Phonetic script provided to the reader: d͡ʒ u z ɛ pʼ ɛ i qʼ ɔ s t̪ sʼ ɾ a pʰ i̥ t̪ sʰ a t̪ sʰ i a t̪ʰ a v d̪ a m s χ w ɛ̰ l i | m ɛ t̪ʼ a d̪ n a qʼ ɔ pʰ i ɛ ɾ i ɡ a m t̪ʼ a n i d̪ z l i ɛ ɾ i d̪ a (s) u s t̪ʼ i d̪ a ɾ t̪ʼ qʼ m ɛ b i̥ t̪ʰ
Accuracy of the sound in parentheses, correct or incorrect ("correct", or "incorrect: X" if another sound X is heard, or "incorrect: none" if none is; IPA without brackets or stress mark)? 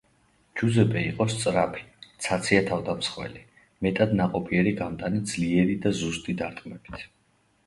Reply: incorrect: z